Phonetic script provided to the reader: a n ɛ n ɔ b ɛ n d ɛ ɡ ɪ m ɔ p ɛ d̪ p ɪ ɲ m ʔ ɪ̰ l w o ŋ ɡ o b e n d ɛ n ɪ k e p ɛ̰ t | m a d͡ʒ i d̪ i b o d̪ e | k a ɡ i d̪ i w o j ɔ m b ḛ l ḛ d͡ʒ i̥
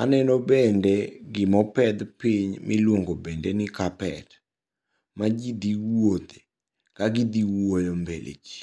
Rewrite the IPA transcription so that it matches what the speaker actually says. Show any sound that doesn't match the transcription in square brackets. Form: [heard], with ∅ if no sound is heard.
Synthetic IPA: a n ɛ n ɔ b ɛ n d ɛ ɡ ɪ m ɔ p ɛ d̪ p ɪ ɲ m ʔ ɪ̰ l w o ŋ ɡ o b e n d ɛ n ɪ k [a] p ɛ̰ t | m a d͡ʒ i d̪ i [w] o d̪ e | k a ɡ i d̪ i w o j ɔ m b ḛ l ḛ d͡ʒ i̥